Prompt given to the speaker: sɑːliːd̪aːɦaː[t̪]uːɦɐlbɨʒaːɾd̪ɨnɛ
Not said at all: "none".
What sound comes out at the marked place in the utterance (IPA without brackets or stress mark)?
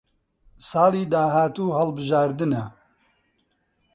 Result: t̪